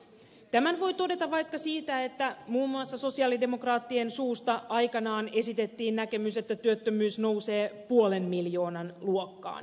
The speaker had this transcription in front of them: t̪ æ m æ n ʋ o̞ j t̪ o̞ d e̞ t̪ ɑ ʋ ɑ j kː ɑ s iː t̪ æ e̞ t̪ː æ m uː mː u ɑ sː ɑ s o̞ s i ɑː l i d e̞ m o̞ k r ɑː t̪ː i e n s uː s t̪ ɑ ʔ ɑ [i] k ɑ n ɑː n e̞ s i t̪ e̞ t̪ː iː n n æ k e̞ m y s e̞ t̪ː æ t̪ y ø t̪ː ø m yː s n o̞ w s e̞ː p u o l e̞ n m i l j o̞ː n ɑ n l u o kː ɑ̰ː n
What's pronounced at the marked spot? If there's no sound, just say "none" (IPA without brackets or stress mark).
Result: j